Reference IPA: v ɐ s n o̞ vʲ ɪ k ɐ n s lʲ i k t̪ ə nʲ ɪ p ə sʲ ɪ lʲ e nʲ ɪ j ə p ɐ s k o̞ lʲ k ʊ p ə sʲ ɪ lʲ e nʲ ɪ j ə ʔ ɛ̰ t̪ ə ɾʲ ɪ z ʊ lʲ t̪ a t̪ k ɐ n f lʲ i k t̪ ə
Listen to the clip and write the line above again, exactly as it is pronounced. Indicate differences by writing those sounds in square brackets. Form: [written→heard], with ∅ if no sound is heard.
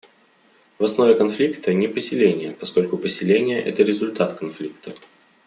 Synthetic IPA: v ɐ s n o̞ vʲ ɪ k ɐ n [s→f] lʲ i k t̪ ə nʲ ɪ p ə sʲ ɪ lʲ e nʲ ɪ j ə p ɐ s k o̞ lʲ k ʊ p ə sʲ ɪ lʲ e nʲ ɪ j ə ʔ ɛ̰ t̪ ə ɾʲ ɪ z ʊ lʲ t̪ a t̪ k ɐ n f lʲ i k t̪ ə